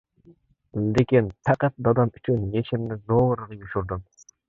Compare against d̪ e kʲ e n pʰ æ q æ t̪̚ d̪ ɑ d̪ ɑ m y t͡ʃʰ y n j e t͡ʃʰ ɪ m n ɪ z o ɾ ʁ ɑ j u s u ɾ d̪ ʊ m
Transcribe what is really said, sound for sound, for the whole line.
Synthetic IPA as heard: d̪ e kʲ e n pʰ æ q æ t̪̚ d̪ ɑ d̪ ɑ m y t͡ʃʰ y n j e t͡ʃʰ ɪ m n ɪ z o ɾ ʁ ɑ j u ʃ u ɾ d̪ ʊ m